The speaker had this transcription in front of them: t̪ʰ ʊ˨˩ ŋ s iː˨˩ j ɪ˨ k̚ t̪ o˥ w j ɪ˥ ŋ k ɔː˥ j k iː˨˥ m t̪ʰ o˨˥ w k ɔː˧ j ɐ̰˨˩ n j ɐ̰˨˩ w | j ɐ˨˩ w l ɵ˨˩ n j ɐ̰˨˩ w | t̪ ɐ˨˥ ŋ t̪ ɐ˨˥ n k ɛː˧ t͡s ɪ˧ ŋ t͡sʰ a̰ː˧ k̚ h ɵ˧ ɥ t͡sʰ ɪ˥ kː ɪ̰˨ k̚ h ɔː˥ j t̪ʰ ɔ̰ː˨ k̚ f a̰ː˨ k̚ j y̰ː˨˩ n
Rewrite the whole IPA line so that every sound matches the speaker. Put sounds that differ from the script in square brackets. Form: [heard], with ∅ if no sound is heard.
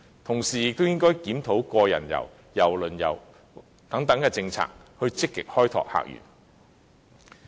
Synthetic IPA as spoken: t̪ʰ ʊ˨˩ ŋ s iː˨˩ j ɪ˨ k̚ t̪ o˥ w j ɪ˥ ŋ k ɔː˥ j k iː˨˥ m t̪ʰ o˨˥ w k ɔː˧ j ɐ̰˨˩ n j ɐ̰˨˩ w | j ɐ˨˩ w l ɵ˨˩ n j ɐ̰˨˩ w | t̪ ɐ˨˥ ŋ t̪ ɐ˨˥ [ŋ] k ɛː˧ t͡s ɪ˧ ŋ t͡sʰ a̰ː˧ k̚ h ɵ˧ ɥ [t͡s] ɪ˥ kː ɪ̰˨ k̚ h ɔː˥ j t̪ʰ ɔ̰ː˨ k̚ [h] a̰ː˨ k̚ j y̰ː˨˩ n